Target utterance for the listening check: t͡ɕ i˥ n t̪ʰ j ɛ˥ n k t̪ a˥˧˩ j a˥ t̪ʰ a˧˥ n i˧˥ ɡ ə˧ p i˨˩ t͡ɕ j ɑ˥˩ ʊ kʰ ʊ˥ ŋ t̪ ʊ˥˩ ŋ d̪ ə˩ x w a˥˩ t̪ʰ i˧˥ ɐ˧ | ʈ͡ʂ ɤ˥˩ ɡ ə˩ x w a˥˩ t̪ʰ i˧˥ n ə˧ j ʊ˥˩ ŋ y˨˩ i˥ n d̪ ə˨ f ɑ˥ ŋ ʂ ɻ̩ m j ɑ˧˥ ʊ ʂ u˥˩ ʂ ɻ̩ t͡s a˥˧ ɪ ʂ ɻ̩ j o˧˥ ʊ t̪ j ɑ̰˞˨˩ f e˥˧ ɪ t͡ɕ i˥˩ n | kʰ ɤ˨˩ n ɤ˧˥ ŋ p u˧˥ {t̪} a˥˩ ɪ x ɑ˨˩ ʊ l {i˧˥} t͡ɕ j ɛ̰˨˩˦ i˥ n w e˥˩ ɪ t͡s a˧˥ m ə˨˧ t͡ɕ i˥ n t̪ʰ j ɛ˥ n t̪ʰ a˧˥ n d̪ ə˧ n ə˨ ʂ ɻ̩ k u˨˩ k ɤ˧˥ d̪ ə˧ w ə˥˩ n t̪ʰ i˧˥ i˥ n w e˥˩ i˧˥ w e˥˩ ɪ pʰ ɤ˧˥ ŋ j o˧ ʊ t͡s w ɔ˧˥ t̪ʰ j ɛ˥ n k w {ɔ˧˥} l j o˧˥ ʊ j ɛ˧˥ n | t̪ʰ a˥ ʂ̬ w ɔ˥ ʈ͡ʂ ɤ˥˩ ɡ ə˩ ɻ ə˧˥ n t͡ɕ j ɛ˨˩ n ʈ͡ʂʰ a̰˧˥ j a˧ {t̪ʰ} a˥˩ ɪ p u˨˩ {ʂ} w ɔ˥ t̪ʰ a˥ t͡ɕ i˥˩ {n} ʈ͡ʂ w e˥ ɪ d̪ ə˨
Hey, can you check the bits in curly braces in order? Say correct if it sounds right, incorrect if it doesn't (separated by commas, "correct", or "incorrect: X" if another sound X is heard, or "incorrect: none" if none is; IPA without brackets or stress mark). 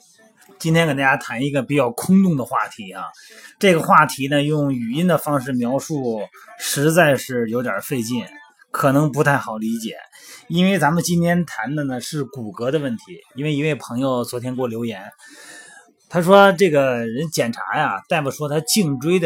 incorrect: t̪ʰ, correct, incorrect: ɔ˥˩, incorrect: t̪, correct, incorrect: ŋ